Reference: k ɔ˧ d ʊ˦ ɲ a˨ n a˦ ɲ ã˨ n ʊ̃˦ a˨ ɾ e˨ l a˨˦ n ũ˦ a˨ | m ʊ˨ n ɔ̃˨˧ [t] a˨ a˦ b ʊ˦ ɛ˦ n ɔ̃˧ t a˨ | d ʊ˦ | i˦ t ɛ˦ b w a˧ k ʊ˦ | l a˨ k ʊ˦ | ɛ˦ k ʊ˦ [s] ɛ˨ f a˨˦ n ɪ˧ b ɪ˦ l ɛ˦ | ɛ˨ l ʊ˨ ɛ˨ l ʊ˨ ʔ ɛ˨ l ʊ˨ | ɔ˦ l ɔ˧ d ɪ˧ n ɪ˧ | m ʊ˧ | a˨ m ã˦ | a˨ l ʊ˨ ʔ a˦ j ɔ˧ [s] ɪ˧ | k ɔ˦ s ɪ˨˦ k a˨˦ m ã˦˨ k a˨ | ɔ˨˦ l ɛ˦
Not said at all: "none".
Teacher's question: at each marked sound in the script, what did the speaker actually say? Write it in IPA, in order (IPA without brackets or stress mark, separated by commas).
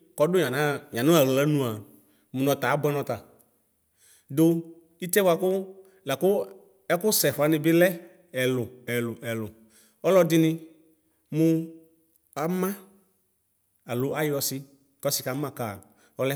t, s, s